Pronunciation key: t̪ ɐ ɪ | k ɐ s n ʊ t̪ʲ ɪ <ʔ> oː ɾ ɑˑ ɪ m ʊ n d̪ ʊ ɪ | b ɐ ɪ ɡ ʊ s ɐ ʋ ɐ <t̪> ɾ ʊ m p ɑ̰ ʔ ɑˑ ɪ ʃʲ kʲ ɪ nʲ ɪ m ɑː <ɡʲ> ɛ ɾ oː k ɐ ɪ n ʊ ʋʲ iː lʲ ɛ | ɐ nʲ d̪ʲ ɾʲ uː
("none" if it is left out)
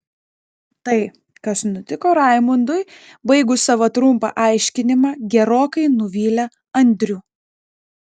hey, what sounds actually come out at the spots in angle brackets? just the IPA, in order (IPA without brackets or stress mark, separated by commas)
k, t̪, ɡʲ